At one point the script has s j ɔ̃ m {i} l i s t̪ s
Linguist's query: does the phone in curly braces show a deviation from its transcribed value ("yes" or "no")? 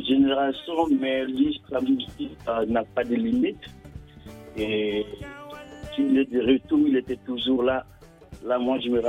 yes